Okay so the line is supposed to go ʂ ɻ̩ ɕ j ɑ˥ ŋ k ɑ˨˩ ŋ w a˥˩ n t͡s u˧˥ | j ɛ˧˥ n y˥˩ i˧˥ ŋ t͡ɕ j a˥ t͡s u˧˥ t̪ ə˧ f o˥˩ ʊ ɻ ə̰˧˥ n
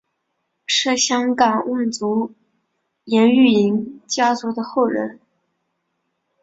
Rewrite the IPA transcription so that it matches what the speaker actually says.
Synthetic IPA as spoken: ʂ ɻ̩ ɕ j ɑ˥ ŋ k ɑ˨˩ ŋ w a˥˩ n t͡s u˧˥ | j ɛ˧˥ n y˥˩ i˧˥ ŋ t͡ɕ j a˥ t͡s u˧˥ d̪ ə˧ x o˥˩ ʊ ɻ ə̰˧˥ n